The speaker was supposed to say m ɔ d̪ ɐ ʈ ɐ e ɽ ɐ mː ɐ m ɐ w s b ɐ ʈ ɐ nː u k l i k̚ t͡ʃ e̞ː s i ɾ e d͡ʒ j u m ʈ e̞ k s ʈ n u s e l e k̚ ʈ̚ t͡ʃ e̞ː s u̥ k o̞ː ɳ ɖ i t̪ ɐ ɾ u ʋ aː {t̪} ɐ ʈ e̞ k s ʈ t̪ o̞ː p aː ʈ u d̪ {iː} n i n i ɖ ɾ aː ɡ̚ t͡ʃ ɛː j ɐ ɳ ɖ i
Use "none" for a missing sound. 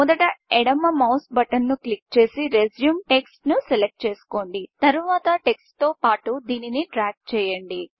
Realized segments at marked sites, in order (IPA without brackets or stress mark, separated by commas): t̪, iː